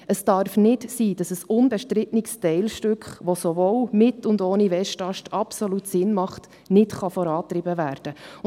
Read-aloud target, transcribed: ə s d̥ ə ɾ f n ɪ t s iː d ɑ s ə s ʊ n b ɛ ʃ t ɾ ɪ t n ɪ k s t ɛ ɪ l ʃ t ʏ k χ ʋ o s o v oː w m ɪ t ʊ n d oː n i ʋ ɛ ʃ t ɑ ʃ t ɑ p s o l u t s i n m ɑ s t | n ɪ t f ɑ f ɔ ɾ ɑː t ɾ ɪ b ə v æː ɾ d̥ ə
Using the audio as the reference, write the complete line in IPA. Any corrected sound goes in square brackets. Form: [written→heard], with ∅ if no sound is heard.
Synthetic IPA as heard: ə s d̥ [ə→ɑ] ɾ f n ɪ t s iː d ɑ s ə s ʊ n b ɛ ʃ t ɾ ɪ t n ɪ k s t ɛ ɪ l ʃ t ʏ k χ ʋ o s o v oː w m ɪ t ʊ n d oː n i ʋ ɛ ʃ t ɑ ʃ t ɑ p s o l u t s [i→ɪ] n m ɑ [s→χ] t | n ɪ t [f→χ] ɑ f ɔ ɾ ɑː t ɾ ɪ b ə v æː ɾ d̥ ə